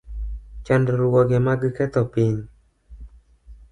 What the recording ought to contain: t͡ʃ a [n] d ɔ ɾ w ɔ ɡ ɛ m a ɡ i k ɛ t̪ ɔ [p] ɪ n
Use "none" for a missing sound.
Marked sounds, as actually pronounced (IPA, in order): n, p

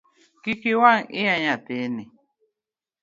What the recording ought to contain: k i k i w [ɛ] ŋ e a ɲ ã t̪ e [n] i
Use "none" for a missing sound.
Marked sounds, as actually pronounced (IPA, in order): a, n

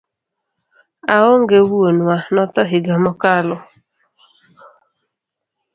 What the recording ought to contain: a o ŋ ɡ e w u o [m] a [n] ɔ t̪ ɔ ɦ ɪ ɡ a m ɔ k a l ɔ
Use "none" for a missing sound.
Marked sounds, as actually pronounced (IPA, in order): n, n

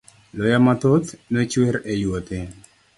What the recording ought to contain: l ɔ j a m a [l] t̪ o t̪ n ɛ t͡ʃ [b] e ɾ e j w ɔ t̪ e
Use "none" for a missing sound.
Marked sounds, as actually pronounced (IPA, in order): none, w

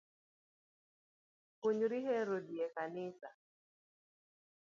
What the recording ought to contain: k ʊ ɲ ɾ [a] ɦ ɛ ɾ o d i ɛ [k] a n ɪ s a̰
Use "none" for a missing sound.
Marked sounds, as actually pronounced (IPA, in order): i, k

